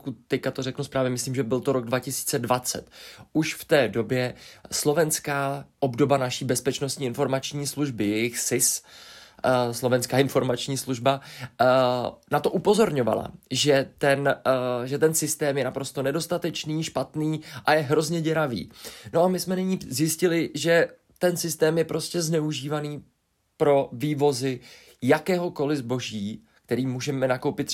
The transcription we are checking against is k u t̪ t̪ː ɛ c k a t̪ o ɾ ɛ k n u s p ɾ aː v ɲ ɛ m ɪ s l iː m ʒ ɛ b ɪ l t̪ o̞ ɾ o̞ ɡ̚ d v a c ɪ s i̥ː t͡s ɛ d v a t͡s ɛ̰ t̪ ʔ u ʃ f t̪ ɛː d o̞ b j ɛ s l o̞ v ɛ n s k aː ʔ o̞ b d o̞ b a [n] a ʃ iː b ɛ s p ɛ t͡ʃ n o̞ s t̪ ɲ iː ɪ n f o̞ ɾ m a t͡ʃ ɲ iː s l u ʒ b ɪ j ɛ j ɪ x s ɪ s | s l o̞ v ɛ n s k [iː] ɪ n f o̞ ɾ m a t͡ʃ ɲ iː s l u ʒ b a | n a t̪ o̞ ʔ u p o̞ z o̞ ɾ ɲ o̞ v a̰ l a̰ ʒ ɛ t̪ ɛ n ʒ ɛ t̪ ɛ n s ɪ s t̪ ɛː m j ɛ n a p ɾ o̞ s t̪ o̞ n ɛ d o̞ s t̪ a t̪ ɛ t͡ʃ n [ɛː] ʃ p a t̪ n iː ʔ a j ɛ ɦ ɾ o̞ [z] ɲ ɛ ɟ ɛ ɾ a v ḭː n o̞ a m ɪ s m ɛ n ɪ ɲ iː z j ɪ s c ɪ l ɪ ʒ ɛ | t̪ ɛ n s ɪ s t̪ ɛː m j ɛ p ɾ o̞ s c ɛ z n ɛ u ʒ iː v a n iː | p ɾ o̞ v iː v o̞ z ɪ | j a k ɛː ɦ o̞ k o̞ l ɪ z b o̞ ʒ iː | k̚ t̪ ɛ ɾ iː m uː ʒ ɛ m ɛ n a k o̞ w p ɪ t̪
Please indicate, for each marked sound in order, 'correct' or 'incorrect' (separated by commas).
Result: correct, incorrect, incorrect, correct